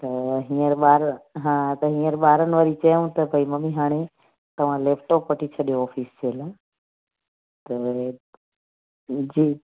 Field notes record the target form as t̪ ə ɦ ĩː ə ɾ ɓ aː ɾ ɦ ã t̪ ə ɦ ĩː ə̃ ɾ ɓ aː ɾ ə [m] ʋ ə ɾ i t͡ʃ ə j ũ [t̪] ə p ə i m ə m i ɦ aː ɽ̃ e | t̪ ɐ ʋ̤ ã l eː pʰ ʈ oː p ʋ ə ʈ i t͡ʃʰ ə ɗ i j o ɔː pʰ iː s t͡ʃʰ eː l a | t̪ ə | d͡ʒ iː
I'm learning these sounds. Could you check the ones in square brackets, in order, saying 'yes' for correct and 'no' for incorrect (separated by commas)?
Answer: no, yes